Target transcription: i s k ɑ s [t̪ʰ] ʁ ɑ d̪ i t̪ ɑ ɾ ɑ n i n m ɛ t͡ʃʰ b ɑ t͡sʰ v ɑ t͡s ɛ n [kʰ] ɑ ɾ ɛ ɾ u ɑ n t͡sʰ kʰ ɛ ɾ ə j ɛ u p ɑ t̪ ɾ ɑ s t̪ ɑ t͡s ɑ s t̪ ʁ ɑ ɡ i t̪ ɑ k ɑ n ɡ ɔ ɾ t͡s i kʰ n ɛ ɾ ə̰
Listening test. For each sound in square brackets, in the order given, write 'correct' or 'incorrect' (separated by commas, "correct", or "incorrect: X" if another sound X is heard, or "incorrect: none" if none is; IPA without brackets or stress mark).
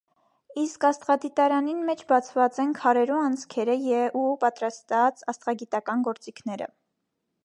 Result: incorrect: t̪, correct